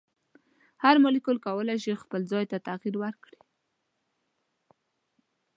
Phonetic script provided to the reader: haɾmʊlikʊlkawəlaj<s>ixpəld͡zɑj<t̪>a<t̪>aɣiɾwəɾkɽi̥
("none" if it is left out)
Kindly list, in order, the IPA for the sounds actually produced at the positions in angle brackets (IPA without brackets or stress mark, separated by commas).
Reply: ʃ, t̪, t̪